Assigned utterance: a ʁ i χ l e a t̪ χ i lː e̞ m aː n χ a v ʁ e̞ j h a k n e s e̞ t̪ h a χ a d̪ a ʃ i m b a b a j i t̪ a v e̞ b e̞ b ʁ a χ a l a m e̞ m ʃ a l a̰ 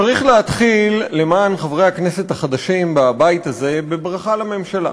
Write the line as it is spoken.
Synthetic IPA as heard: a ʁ i χ l e a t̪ χ i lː e̞ m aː n χ a v ʁ e̞ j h a k n e s e̞ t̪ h a χ a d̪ a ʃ i m b a b a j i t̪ a z e̞ b e̞ b ʁ a χ a l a m e̞ m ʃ a l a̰